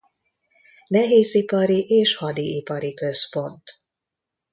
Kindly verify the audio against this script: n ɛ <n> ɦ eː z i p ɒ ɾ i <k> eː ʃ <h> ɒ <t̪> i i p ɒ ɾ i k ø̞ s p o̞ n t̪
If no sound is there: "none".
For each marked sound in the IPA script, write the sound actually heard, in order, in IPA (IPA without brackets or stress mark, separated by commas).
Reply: none, ʔ, h, d̪